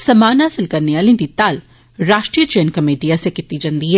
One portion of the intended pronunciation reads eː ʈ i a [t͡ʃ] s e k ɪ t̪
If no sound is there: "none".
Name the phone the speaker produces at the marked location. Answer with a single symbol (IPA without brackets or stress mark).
none